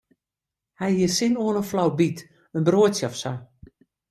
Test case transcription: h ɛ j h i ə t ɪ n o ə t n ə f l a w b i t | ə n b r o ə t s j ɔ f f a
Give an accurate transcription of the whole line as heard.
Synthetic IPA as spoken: h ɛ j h i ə s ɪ n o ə n ə f l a w b i t | ə n b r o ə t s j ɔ f s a